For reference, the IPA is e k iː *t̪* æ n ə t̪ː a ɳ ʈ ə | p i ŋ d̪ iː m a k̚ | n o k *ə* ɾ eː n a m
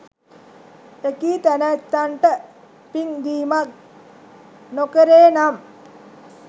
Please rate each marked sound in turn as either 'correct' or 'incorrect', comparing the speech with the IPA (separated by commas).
correct, correct